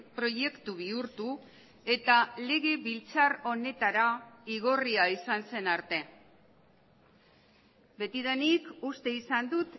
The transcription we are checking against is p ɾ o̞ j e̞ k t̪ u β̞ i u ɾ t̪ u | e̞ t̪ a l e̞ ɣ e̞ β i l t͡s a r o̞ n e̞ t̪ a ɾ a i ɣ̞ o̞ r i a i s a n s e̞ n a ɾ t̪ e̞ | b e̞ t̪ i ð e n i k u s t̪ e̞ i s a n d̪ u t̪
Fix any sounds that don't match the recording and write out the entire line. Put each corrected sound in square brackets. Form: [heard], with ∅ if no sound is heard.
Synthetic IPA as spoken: p ɾ o̞ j e̞ k t̪ u β̞ i u ɾ t̪ u | e̞ t̪ a l e̞ ɣ e̞ β i l t͡s a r o̞ n e̞ t̪ a ɾ a i ɣ̞ o̞ r i a i s a n s e̞ n a ɾ t̪ e̞ | b e̞ t̪ i ð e n i k u s t̪ e̞ i s a n d̪ u t̪